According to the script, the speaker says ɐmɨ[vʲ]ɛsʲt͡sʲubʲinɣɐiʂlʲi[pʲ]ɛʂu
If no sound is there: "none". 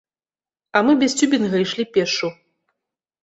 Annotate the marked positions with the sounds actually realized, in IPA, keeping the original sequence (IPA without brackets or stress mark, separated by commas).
bʲ, pʲ